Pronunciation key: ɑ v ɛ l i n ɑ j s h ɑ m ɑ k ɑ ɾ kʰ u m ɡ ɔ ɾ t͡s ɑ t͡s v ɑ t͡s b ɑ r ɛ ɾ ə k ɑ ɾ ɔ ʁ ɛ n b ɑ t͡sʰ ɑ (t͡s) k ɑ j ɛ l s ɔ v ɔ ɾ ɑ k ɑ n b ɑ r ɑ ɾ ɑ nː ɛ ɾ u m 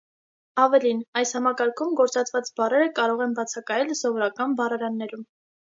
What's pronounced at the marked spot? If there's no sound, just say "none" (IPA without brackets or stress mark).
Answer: none